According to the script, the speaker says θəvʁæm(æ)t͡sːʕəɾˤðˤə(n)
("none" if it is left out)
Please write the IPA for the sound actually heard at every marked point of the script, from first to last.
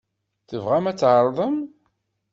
æ, m

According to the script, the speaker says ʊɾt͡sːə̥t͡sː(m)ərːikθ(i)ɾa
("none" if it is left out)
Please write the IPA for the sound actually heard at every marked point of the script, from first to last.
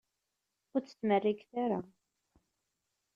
m, a

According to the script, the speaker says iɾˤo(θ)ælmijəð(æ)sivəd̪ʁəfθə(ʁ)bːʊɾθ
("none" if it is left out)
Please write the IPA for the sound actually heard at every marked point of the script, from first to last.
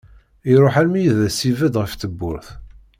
ħ, æ, none

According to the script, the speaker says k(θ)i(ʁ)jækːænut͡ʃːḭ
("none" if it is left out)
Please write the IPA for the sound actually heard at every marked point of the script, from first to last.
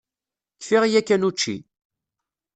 f, ʁ

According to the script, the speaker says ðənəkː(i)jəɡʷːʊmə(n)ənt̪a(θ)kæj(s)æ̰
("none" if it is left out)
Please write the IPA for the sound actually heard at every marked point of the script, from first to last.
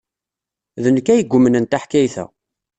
æ, n, ħ, θ

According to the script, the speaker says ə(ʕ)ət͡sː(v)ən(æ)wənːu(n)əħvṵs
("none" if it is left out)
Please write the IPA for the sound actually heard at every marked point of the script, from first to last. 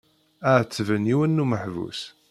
ʕ, v, i, m

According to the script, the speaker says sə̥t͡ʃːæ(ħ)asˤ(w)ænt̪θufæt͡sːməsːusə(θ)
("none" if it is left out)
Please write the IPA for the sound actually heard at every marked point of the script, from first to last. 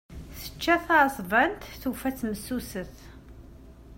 θ, v, θ

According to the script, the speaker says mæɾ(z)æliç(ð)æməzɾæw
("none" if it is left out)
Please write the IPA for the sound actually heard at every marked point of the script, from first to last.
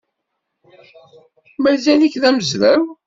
z, ð

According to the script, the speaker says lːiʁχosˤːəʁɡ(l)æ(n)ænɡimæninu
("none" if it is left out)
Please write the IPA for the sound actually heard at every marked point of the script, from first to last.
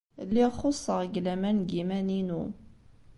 l, m

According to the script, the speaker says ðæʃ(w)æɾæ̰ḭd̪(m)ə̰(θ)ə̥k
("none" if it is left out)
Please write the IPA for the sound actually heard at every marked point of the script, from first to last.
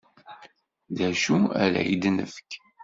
u, n, f

